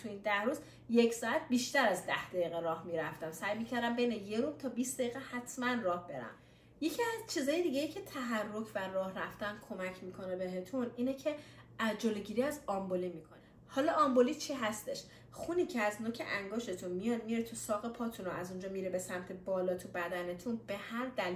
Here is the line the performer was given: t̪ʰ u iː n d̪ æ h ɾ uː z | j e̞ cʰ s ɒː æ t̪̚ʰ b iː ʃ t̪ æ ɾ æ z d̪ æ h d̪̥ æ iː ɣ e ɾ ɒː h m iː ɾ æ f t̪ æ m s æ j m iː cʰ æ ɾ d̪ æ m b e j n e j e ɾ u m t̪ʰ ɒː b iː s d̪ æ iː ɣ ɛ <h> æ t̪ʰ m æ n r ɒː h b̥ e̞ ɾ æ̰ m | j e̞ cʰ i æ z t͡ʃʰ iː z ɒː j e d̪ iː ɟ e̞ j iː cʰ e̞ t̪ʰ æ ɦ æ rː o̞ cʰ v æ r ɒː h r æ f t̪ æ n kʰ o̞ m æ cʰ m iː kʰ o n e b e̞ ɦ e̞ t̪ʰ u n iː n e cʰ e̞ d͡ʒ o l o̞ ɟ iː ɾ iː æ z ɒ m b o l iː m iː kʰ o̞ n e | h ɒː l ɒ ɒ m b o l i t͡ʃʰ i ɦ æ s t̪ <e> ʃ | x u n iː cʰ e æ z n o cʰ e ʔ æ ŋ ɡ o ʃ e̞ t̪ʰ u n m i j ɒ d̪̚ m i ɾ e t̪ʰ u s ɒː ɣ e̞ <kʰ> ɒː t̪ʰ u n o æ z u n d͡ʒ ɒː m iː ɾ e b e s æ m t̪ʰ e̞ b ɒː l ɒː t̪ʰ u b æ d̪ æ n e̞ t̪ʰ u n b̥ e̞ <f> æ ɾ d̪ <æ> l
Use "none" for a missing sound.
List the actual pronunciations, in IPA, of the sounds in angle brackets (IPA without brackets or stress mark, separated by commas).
h, e, pʰ, h, æ